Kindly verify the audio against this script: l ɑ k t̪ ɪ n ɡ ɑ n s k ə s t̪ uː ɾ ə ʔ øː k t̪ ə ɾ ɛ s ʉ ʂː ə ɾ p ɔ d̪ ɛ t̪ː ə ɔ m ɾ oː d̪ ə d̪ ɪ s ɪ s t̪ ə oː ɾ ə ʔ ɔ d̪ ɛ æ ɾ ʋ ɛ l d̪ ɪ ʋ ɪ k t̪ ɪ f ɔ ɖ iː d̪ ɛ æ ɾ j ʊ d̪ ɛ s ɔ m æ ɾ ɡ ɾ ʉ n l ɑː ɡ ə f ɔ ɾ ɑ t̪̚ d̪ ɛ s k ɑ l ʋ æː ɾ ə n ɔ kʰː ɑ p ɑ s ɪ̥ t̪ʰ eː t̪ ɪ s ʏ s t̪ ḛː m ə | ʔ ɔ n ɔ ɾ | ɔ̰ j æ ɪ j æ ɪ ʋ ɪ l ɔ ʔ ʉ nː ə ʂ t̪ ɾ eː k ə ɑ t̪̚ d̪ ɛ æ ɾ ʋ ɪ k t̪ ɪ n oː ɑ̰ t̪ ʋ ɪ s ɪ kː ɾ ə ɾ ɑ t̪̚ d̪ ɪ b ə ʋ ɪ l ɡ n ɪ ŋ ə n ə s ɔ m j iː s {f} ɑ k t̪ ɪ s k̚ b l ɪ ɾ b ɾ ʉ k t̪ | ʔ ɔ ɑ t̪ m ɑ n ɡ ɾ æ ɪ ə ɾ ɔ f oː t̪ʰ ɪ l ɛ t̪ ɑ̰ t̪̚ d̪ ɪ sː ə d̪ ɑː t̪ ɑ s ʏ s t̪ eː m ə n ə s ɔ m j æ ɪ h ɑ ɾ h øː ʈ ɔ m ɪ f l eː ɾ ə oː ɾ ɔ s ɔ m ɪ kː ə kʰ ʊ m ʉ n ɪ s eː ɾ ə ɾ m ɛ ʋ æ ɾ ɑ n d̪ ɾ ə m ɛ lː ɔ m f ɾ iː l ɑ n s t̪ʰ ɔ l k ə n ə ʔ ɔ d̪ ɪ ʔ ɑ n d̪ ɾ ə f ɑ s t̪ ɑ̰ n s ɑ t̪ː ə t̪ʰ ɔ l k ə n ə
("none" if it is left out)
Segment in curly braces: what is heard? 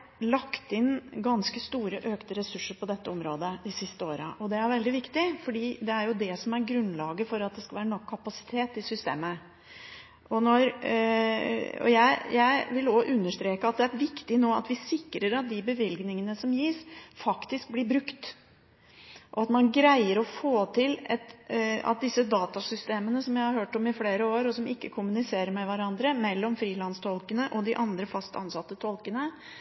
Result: f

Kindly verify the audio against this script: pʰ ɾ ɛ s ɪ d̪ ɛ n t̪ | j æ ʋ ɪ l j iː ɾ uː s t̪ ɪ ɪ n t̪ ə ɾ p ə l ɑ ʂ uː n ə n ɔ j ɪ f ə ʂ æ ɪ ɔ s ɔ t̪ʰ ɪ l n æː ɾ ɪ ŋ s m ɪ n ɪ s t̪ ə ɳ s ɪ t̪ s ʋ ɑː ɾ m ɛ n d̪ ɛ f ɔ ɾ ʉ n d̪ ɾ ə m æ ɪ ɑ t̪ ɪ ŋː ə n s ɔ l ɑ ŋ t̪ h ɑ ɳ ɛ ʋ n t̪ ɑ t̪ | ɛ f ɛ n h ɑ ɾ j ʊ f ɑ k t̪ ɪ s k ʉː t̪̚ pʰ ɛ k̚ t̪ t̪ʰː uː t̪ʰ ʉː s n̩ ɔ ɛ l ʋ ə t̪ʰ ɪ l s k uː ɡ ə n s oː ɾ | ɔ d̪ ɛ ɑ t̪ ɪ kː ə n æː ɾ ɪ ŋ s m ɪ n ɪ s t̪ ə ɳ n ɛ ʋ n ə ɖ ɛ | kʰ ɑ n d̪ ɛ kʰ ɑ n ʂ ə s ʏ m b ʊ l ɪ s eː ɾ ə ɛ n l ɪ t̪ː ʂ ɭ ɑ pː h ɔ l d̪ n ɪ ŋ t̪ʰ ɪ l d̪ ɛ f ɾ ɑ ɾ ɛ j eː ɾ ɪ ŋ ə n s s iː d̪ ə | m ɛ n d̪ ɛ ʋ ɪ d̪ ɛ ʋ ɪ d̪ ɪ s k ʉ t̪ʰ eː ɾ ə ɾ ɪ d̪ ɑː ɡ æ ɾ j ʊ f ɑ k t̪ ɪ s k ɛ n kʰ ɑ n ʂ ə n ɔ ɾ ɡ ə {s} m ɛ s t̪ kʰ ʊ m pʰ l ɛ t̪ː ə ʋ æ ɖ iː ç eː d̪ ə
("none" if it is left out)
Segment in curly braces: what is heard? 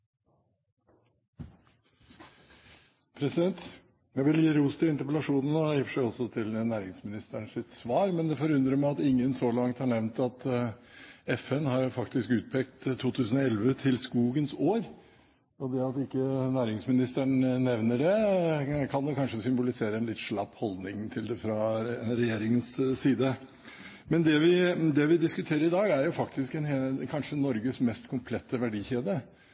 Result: s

